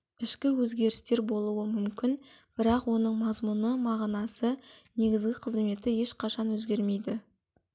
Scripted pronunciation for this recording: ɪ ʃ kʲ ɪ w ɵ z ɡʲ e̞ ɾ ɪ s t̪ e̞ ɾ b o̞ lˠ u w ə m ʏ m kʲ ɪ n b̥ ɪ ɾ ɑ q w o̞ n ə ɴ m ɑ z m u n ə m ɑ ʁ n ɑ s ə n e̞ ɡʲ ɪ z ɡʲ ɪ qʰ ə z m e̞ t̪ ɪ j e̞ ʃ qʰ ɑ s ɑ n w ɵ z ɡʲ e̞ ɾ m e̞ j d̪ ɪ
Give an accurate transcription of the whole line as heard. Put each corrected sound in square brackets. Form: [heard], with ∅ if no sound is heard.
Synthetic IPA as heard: ɪ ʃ kʲ ɪ w ɵ z ɡʲ e̞ ɾ ɪ s t̪ e̞ ɾ b o̞ lˠ u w ə m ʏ m kʲ ɪ n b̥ ɪ ɾ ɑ q w o̞ n ə ɴ m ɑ z m u n ə m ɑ ʁ n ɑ s ə n e̞ ɡʲ ɪ z ɡʲ ɪ qʰ ə z m e̞ t̪ ɪ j e̞ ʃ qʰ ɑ [ʃ] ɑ n w ɵ z ɡʲ e̞ ɾ m e̞ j d̪ ɪ